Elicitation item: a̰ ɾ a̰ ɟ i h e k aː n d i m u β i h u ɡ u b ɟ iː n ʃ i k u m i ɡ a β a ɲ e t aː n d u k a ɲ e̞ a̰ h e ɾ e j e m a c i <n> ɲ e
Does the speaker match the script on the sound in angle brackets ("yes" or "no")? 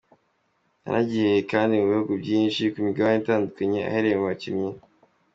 no